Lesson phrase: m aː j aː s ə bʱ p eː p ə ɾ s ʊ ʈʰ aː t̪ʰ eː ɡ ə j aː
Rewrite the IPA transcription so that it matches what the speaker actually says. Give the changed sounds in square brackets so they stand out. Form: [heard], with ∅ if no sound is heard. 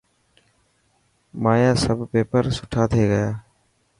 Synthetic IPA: m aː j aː s ə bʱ p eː p ə ɾ s ʊ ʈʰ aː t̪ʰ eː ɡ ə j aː